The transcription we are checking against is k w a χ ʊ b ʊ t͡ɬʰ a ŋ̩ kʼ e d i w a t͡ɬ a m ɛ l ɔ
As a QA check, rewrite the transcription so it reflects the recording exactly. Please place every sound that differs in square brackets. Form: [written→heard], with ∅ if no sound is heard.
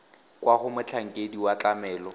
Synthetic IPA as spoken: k w a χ ʊ [b→m] ʊ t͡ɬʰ a ŋ̩ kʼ e d i w a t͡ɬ a m [ɛ→ɛː] l ɔ

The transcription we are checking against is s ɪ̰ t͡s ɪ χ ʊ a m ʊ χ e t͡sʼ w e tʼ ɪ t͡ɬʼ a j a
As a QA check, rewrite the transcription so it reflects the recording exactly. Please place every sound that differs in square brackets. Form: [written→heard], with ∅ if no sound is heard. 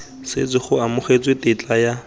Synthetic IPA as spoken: s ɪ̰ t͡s ɪ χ ʊ a m ʊ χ e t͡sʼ w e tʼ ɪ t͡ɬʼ a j a

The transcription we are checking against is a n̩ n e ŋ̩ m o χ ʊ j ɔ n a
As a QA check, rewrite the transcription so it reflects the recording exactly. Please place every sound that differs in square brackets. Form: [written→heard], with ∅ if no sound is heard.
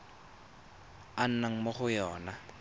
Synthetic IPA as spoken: a n̩ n [e→a] ŋ̩ m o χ ʊ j [ɔ→ɔː] n a

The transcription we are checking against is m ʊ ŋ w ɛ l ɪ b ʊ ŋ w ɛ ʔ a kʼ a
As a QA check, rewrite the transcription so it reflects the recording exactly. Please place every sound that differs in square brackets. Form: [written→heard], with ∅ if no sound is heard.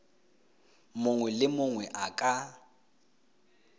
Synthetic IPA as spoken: m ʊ ŋ w ɛ l ɪ [b→m] ʊ ŋ w ɛ ʔ a kʼ a

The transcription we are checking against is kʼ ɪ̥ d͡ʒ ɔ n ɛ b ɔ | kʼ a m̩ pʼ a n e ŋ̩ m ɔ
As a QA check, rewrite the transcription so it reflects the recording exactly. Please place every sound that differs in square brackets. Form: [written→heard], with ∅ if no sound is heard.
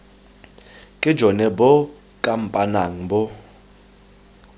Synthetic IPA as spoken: kʼ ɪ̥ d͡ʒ ɔ n ɛ b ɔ | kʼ a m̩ pʼ a n [e→a] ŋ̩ [m→b] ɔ

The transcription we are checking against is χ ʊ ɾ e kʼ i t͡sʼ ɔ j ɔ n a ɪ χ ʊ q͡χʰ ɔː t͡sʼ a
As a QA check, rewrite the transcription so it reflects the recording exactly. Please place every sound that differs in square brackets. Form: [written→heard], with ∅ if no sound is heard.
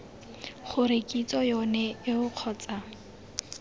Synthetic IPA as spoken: χ ʊ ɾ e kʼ i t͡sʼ ɔ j ɔ n [a→ɛ] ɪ [χ→∅] ʊ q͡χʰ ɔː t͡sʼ a

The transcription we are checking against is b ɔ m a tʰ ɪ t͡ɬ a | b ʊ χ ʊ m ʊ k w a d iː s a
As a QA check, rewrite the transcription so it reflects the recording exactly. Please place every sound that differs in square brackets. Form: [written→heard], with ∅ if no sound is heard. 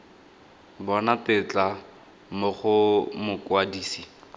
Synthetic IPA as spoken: b ɔ [m→n] a [tʰ→t] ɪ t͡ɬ a | [b→m] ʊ χ ʊ m ʊ k w a d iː s [a→i]

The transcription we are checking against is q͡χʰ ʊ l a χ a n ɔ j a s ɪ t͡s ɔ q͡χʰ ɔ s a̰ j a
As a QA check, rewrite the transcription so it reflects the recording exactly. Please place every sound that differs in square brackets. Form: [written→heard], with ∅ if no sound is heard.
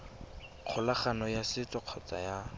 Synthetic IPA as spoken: q͡χʰ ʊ l a χ a n ɔ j a s ɪ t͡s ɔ q͡χʰ ɔ [s→t͡s] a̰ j a

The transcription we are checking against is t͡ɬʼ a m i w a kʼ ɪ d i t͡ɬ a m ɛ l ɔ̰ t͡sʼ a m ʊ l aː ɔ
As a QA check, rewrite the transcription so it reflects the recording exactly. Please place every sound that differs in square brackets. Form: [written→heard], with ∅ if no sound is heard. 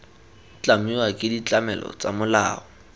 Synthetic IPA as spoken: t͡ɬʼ a m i w a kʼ ɪ d i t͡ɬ a m ɛ l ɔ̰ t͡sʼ a m ʊ l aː ɔ

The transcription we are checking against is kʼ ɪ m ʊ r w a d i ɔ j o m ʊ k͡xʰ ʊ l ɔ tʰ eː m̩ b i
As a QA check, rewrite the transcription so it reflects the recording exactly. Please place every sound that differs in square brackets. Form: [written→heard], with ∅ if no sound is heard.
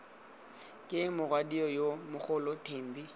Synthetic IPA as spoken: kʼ ɪ m ʊ r w a d i ɔ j o m ʊ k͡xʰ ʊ l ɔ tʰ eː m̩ b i

